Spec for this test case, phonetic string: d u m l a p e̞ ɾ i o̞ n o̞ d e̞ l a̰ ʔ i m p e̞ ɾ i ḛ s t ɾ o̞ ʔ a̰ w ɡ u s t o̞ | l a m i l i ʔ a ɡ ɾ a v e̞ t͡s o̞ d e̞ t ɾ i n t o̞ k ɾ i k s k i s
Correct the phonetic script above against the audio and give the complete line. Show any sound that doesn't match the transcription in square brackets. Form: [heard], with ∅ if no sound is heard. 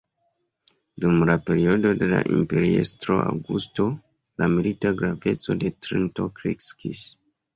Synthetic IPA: d u m l a p e̞ ɾ i o̞ [d] o̞ d e̞ l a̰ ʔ i m p e̞ ɾ i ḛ s t ɾ o̞ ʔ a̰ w ɡ u s t o̞ | l a m i l i [t] a ɡ ɾ a v e̞ t͡s o̞ d e̞ t ɾ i n t o̞ k ɾ i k s k i s

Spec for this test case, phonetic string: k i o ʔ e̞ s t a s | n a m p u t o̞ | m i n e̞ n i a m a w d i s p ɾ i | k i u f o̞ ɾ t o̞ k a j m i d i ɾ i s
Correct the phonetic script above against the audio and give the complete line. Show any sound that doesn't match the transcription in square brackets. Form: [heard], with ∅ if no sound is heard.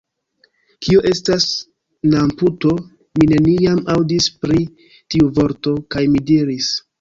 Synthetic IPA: k i o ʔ e̞ s t a s | n a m p u t o̞ | m i n e̞ n i a m a w d i s p ɾ i | [t] i u [v] o̞ ɾ t o̞ k a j m i d i ɾ i s

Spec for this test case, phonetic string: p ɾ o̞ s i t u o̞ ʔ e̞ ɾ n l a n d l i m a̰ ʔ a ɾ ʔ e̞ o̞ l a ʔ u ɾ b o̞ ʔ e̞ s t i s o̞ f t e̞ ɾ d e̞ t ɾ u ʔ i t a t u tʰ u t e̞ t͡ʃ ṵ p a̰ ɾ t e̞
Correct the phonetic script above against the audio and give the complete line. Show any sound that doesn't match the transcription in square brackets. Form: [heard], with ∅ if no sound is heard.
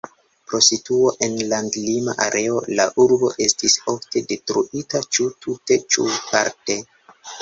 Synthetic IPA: p ɾ o̞ s i t u o̞ ʔ e̞ [∅] n l a n d l i m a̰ ʔ a ɾ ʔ e̞ o̞ l a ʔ u ɾ b o̞ ʔ e̞ s t i s o̞ f t e̞ [∅] d e̞ t ɾ u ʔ i t a [t͡ʃ] u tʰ u t e̞ t͡ʃ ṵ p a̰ ɾ t e̞

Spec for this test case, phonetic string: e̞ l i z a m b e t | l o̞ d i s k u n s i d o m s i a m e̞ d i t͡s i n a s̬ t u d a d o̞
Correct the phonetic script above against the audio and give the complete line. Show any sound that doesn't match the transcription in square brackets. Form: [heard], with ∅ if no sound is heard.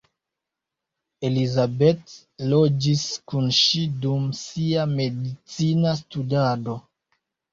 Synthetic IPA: e̞ l i z a [∅] b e t | l o̞ [d͡ʒ] i s k u n [ʃ] i d [u] m s i a m e̞ d i t͡s i n a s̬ t u d a d o̞

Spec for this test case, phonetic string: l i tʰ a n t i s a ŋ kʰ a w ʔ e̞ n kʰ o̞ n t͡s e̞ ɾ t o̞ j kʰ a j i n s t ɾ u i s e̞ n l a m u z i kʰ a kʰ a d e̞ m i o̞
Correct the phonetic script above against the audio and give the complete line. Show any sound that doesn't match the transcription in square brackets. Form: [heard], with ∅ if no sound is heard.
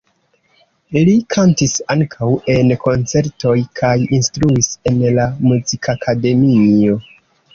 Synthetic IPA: l i [kʰ] a n t i s a ŋ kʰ a w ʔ e̞ n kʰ o̞ n t͡s e̞ ɾ t o̞ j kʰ a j i n s t ɾ u i s e̞ n l a m u z i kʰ a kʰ a d e̞ m i o̞

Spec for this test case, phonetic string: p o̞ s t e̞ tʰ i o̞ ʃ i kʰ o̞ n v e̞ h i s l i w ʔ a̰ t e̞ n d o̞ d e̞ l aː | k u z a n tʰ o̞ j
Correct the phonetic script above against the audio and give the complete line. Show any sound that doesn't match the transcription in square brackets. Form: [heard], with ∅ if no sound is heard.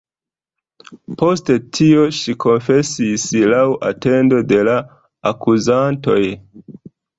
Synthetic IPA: p o̞ s t e̞ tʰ i o̞ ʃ i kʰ o̞ n [f] e̞ [s] i s l [a] w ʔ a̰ t e̞ n d o̞ d e̞ l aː | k u z a n [t] o̞ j

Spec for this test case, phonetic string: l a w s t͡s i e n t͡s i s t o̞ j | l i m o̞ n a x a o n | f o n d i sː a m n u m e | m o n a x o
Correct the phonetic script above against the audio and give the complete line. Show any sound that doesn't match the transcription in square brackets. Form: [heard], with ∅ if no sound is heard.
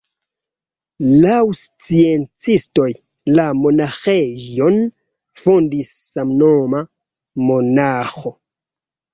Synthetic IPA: l a w s t͡s i e n t͡s i s t o̞ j | l [a] m o̞ n a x [e] o n | f o n d i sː a m n [o] m [a] | m o n a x o

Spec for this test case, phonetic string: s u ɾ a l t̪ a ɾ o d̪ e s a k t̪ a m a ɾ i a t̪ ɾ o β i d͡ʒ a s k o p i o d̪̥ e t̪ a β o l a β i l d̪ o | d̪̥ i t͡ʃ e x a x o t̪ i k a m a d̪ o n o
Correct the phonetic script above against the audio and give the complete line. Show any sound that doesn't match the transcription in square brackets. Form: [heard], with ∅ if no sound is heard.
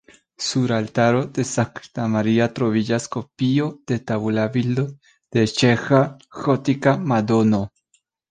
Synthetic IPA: s u ɾ a l t̪ a ɾ o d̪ e s a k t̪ a m a ɾ i a t̪ ɾ o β i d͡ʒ a s k o p i o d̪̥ e t̪ a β [u] l a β i l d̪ o | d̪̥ [e] t͡ʃ e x a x o t̪ i k a m a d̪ o n o

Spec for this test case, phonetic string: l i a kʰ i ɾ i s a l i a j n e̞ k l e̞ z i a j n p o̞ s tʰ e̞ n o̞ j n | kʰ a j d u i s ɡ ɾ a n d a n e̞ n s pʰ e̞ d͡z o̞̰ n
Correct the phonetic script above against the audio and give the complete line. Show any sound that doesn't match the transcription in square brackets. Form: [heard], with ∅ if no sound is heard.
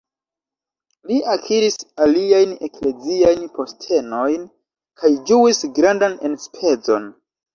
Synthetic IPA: l i a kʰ i ɾ i s a l i a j n e̞ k l e̞ z i a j n p o̞ s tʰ e̞ n o̞ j n | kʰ a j [d͡ʒ] u i s ɡ ɾ a n d a n e̞ n s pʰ e̞ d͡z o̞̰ n

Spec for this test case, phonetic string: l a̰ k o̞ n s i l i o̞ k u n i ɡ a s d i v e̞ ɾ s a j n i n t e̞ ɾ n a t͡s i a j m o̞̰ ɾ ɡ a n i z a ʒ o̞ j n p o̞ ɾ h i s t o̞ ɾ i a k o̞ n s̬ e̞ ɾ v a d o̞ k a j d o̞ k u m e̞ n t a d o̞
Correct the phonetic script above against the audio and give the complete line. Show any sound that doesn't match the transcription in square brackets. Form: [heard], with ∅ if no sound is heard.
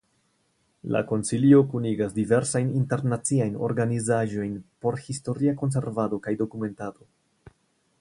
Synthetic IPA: l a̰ k o̞ n s i l i o̞ k u n i ɡ a s d i v e̞ ɾ s a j n i n t e̞ ɾ n a t͡s i a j [n] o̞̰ ɾ ɡ a n i z a ʒ o̞ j n p o̞ ɾ h i s t o̞ ɾ i a k o̞ n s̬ e̞ ɾ v a d o̞ k a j d o̞ k u m e̞ n t a d o̞

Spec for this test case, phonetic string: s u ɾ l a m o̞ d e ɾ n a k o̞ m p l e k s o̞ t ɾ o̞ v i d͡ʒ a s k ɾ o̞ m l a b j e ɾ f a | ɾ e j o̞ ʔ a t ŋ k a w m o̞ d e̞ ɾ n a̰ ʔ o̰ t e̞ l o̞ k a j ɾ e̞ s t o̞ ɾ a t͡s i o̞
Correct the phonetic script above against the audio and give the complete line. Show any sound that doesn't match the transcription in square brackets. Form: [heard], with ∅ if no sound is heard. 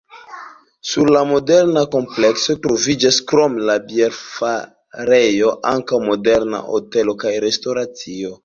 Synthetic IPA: s u ɾ l a m o̞ d e ɾ n a k o̞ m p l e k s o̞ t ɾ o̞ v i d͡ʒ a s k ɾ o̞ m l a b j e ɾ f a | ɾ e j o̞ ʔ a [∅] ŋ k a w m o̞ d e̞ ɾ n a̰ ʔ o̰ t e̞ l o̞ k a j ɾ e̞ s t o̞ ɾ a t͡s i o̞

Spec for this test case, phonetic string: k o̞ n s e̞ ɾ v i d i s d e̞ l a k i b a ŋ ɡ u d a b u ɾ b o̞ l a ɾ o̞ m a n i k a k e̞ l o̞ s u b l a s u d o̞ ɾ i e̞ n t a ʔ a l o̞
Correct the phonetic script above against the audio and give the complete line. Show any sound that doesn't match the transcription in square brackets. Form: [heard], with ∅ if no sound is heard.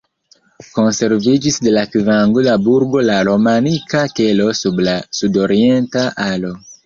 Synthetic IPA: k o̞ n s e̞ ɾ v i [d͡ʒ] i s d e̞ l a k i [v] a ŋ ɡ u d a b u ɾ [ɡ] o̞ l a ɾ o̞ m a n i k a k e̞ l o̞ s u b l a s u d o̞ ɾ i e̞ n t a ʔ a l o̞

